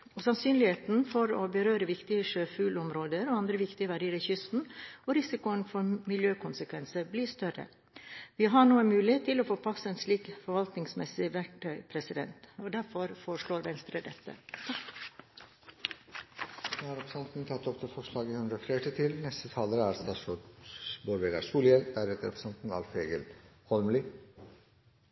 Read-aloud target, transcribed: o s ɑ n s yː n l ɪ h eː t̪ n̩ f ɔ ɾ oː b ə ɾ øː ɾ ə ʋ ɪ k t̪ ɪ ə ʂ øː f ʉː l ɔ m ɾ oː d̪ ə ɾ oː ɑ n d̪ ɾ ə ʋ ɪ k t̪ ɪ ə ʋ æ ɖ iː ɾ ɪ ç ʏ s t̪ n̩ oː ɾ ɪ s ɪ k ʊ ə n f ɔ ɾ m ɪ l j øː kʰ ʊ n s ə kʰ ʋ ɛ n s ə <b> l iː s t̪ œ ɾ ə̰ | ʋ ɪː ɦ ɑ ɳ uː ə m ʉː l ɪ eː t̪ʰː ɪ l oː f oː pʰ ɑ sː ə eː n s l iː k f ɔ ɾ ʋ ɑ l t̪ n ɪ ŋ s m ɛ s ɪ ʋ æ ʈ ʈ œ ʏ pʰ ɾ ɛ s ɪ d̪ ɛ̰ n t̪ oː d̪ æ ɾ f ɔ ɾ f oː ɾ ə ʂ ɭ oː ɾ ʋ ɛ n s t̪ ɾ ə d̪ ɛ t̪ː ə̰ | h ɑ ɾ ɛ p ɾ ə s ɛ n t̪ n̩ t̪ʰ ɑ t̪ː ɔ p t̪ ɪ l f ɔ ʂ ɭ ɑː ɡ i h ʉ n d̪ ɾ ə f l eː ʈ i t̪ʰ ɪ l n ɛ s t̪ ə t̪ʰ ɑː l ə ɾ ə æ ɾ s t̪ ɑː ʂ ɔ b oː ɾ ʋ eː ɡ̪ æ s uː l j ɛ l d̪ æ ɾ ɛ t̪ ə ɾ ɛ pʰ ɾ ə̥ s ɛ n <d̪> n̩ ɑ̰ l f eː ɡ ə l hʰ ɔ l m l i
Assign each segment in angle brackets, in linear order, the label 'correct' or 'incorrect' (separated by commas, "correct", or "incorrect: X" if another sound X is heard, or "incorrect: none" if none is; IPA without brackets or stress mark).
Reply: correct, incorrect: t̪